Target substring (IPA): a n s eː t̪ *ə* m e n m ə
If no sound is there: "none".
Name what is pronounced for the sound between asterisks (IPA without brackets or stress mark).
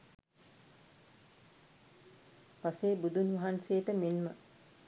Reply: ə